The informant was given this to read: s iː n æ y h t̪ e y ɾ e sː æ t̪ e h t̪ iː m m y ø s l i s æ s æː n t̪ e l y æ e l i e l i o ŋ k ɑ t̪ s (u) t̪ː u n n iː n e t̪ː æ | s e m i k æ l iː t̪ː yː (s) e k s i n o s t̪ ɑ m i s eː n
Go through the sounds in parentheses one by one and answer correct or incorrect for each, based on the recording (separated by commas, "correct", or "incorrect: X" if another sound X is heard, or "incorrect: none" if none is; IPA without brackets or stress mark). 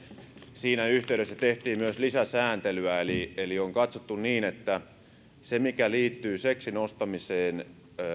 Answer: incorrect: o, correct